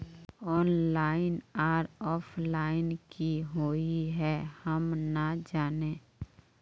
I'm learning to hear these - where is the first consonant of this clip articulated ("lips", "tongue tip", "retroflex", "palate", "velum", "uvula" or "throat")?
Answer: tongue tip